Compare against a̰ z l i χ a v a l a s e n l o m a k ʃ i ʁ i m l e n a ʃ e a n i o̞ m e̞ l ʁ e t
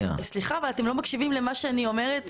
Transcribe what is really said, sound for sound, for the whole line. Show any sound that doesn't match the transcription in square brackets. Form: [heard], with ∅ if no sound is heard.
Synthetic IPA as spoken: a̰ [s] l i χ a v a l a [t] e [m] l o m a k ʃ i [v] i m l e [m] a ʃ e a n i o̞ m e̞ [∅] ʁ e t